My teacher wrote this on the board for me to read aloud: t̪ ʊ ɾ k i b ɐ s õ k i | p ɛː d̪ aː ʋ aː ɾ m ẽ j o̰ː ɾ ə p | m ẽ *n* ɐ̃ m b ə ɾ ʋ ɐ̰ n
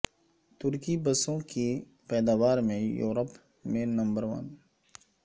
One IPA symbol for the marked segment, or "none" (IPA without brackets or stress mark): n